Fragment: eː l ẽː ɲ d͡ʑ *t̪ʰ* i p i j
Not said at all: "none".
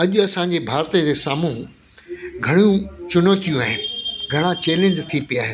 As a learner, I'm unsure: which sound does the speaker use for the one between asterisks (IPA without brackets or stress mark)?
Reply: t̪ʰ